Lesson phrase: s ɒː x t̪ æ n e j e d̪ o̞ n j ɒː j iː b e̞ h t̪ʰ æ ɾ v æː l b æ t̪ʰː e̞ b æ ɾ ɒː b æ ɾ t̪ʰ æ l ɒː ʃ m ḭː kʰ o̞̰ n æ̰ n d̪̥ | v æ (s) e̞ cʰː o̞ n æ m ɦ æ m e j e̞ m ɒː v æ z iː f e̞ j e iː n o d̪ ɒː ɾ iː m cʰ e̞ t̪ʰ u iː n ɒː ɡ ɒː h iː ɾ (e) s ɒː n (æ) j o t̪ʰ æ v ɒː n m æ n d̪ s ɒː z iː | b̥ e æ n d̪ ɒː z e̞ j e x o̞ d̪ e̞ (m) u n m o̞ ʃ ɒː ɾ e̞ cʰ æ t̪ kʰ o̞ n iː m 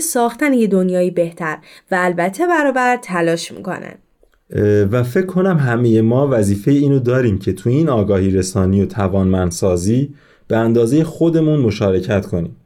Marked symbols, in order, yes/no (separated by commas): no, yes, no, yes